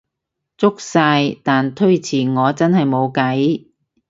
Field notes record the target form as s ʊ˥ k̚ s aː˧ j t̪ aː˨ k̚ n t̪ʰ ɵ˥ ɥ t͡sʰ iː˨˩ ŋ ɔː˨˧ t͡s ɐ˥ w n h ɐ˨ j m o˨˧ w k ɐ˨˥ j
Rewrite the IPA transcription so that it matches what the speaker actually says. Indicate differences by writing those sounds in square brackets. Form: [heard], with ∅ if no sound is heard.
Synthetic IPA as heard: [t͡s] ʊ˥ k̚ s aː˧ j t̪ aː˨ [∅] n t̪ʰ ɵ˥ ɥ t͡sʰ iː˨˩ ŋ ɔː˨˧ t͡s ɐ˥ [∅] n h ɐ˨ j m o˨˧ w k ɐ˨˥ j

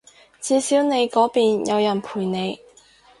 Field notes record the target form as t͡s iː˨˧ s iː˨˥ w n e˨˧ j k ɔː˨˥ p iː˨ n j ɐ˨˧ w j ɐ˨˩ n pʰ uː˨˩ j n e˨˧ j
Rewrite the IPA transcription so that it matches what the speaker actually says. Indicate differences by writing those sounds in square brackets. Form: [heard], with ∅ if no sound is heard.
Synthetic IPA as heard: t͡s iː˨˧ s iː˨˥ w n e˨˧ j k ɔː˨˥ p iː˨ n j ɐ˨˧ w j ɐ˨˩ n pʰ uː˨˩ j n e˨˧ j

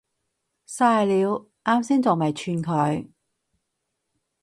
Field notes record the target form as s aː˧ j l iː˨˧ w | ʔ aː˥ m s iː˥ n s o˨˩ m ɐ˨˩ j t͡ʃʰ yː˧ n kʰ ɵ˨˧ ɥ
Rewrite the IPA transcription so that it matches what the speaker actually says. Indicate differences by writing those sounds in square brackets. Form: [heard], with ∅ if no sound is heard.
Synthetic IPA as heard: s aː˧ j l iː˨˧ w | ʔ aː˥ m s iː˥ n [t͡s] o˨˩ m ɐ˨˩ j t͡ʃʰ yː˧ n kʰ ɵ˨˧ ɥ

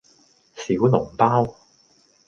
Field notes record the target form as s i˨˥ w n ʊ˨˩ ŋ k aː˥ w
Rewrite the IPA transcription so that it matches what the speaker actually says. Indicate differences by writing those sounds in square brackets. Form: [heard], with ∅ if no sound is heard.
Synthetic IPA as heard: s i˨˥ w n ʊ˨˩ ŋ [p] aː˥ w

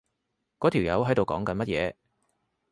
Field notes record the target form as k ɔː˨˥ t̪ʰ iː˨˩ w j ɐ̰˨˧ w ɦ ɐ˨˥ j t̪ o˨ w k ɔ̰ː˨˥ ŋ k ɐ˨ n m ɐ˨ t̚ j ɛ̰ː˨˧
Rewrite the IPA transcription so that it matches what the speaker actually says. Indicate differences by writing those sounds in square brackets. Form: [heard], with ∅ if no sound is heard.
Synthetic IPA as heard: k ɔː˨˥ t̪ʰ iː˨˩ w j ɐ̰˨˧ w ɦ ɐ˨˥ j t̪ o˨ w k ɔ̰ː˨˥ ŋ k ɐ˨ n m [ɐ˥] t̚ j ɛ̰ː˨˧

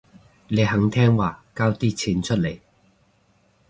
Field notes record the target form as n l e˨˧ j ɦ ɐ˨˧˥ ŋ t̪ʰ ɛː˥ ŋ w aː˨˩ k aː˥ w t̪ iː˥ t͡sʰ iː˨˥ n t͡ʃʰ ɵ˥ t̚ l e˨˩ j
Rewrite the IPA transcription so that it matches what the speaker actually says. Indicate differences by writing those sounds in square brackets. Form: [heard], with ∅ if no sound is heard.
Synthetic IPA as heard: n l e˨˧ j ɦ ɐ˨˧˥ ŋ t̪ʰ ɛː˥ ŋ w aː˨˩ k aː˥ w t̪ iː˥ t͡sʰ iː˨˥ n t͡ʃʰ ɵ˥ t̚ l e˨˩ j

